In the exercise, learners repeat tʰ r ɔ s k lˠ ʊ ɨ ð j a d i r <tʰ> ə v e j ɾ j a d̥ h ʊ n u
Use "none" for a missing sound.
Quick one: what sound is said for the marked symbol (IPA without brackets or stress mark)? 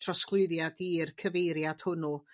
kʰ